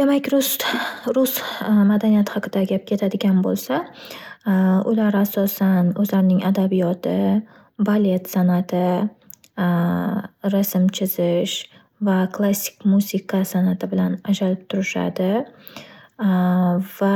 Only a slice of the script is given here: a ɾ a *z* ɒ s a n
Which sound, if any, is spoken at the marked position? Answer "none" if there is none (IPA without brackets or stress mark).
s